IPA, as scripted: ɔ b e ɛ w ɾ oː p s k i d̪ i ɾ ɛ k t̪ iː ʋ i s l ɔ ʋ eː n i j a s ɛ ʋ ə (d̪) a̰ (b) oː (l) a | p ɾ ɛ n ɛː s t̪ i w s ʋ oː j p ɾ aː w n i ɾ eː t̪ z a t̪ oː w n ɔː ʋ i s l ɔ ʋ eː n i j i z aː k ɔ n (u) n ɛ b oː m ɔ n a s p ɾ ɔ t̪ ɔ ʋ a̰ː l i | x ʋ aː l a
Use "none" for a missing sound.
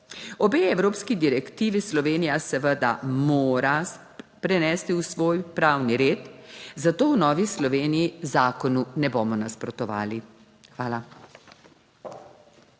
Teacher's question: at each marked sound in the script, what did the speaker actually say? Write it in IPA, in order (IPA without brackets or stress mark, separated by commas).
d̪, m, ɾ, u